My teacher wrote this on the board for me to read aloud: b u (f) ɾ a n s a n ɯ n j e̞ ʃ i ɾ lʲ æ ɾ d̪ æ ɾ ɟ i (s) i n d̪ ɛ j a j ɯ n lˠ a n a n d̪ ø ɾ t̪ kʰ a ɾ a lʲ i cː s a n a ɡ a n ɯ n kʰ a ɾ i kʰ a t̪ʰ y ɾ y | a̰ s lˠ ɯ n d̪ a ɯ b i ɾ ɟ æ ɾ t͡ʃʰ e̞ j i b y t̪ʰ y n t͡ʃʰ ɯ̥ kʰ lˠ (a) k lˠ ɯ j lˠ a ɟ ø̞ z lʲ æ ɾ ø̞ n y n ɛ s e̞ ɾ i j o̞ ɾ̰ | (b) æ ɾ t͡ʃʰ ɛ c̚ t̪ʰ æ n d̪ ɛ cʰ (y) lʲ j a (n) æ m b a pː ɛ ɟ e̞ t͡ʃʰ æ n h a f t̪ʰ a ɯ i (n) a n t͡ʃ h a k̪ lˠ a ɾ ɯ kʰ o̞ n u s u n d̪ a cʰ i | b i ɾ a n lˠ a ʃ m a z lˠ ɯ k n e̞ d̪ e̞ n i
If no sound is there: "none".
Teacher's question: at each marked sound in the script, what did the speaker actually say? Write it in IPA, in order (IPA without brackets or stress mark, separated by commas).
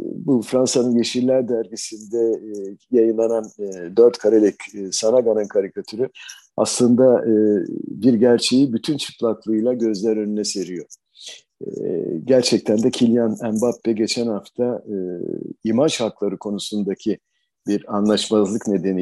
f, s, a, ɟ, i, n, m